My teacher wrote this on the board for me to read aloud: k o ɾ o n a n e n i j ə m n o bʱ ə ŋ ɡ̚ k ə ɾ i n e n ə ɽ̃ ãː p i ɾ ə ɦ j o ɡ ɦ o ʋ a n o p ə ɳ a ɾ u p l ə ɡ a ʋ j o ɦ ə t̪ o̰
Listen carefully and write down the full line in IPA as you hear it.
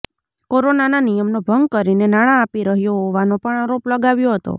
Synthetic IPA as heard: k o ɾ o n a n a n i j ə m n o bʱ ə ŋ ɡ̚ k ə ɾ i n e n a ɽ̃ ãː p i ɾ ə ɦ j o ɦ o ʋ a n o p ə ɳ a ɾ o p l ə ɡ a ʋ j o ɦ ə t̪ o̰